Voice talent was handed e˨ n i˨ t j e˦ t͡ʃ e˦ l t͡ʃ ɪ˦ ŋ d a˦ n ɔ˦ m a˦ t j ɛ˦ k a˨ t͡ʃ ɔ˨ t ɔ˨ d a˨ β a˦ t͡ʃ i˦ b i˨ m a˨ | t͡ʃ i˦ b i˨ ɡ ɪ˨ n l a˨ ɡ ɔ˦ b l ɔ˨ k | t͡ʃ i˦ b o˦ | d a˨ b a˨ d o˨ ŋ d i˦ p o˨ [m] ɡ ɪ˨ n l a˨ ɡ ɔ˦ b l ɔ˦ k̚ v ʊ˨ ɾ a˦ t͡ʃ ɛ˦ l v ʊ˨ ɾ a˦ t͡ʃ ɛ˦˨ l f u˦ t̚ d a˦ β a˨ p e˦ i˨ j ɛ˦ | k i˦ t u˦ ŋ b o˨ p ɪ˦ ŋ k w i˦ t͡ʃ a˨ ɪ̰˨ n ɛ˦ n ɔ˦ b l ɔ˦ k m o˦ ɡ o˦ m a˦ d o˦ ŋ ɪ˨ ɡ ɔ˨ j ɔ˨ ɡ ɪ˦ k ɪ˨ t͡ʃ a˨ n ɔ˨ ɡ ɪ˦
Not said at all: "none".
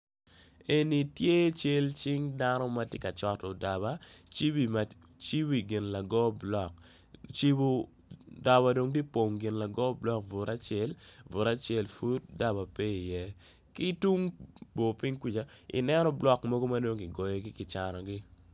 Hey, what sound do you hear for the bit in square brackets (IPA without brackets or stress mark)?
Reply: ŋ